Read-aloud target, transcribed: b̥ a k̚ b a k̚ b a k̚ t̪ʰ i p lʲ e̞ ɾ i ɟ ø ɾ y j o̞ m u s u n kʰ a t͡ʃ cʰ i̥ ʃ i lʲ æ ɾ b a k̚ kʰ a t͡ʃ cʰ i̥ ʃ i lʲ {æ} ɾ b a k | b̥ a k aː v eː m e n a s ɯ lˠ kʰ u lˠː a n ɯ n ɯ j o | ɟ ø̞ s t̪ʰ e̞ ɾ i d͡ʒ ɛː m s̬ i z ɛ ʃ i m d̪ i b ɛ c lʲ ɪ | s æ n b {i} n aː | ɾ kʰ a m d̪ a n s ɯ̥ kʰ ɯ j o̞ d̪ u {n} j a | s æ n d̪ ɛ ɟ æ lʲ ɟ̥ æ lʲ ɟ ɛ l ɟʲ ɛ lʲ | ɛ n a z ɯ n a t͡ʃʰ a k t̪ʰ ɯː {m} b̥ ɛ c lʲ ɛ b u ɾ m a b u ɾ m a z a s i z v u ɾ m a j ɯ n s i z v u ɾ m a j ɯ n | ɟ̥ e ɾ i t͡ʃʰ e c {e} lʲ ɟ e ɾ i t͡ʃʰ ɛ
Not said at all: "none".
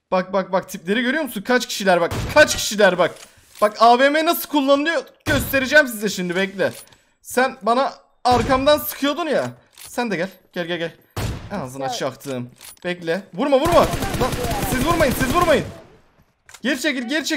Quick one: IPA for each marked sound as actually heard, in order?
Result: æ, a, n, m, i

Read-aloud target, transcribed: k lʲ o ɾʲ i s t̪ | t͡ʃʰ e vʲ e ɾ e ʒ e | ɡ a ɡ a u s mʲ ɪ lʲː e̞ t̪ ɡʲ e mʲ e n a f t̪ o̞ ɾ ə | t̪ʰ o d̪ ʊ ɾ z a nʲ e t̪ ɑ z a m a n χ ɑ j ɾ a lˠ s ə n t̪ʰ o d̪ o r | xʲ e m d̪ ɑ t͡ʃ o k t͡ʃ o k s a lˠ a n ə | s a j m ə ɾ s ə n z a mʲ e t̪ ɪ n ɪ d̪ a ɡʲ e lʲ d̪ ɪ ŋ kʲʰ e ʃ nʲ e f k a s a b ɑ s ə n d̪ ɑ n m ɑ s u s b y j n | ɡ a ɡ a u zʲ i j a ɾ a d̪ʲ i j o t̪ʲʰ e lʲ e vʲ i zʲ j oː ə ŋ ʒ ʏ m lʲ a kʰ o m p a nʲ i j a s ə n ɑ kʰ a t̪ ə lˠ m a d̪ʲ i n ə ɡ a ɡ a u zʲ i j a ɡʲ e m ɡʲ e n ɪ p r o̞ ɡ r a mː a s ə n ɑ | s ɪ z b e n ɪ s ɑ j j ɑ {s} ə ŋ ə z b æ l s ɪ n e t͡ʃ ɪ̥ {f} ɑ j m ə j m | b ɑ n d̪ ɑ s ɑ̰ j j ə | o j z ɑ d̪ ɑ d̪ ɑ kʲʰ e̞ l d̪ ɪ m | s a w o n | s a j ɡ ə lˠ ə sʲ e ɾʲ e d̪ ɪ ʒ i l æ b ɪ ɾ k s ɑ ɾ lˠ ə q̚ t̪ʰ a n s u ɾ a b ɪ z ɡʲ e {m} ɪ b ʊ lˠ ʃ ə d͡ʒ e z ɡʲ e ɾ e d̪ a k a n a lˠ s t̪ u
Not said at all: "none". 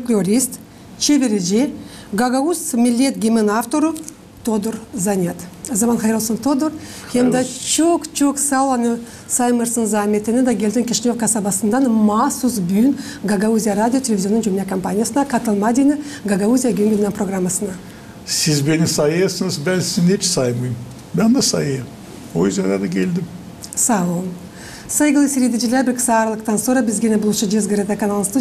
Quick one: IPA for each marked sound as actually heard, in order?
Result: s, s, n

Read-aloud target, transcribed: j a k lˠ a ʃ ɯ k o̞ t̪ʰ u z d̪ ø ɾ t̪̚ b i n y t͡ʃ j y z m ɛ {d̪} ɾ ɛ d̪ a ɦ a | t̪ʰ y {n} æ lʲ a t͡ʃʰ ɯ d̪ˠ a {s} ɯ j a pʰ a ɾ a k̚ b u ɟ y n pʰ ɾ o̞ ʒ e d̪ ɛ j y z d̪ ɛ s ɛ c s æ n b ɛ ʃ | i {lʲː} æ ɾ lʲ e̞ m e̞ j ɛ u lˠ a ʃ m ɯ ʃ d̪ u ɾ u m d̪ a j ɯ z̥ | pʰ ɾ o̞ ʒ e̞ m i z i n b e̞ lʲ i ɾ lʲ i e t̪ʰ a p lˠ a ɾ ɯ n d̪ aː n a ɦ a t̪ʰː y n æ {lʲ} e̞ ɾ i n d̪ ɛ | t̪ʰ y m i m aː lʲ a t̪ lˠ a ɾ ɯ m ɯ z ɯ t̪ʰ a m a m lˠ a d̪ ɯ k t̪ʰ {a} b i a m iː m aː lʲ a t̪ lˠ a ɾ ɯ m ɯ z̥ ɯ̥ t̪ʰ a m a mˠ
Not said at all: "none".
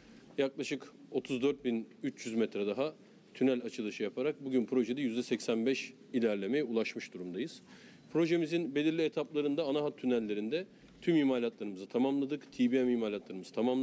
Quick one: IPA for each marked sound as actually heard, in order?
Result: t̪, n, ʃ, lʲ, lʲː, i

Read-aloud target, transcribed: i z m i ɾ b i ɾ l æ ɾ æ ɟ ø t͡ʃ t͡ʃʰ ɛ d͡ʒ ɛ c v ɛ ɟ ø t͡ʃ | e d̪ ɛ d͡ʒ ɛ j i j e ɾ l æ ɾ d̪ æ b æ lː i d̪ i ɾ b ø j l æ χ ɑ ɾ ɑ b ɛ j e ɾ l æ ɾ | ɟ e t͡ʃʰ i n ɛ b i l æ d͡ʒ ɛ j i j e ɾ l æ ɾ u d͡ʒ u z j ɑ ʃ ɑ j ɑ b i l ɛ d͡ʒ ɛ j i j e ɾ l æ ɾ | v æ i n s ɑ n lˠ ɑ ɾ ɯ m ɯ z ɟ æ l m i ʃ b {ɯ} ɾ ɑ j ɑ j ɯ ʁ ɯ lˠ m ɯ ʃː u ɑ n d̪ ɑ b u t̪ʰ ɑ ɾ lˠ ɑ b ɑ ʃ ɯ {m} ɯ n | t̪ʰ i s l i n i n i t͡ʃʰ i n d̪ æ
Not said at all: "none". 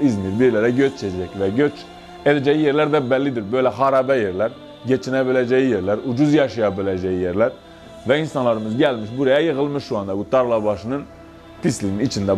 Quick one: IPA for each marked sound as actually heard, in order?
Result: u, n

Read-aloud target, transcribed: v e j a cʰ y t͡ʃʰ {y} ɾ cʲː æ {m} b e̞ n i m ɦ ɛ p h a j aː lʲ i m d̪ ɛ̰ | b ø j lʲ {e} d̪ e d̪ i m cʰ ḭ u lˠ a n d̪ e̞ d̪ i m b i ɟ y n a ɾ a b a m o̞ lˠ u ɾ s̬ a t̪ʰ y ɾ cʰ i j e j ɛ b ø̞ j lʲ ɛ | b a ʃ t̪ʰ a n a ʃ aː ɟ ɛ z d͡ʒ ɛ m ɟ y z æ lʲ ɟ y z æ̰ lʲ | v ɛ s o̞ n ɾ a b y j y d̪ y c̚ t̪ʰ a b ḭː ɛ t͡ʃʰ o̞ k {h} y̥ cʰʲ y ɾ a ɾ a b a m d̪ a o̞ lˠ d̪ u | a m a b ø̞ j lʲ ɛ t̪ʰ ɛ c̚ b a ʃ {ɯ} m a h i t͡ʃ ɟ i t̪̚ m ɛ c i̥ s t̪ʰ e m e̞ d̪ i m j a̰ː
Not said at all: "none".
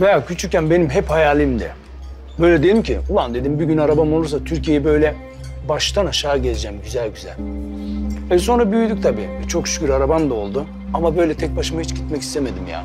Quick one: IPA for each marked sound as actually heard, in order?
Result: y, n, ɛ, ʃ, ɯ

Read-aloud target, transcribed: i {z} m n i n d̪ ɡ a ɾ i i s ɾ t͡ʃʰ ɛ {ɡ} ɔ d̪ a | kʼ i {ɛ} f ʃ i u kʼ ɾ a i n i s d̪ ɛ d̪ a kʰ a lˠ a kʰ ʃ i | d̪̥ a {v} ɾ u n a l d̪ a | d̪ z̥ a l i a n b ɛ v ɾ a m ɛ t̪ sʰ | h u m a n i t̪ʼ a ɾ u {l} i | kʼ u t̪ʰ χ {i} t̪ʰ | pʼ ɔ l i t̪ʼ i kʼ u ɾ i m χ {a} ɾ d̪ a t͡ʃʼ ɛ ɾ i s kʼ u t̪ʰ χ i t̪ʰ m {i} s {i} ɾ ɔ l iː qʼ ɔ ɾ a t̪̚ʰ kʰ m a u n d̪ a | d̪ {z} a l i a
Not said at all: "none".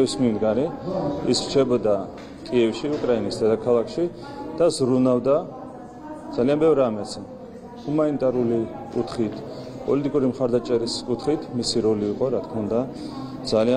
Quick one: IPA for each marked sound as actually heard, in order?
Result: s, b, ɛ, z, l, i, a, i, i, z

